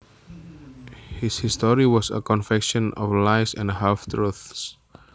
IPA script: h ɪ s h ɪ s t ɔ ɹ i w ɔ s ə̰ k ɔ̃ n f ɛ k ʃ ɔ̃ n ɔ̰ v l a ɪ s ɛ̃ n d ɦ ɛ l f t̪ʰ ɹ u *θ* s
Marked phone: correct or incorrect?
correct